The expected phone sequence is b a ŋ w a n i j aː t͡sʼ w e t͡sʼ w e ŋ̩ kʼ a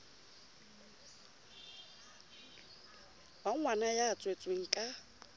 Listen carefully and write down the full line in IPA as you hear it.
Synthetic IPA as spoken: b a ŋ w a n a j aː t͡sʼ w e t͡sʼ w e ŋ̩ kʼ a